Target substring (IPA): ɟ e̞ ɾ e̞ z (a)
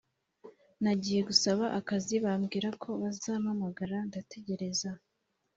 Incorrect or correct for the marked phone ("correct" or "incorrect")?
correct